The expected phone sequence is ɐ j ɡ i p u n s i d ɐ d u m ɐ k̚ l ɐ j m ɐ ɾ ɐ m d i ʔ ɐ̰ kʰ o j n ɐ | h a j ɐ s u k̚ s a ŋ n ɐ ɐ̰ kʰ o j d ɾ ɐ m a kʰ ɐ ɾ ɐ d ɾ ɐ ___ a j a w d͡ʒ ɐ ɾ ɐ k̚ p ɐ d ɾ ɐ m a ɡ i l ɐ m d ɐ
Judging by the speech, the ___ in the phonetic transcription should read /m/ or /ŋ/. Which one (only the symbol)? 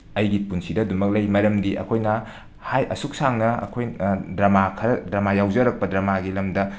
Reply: m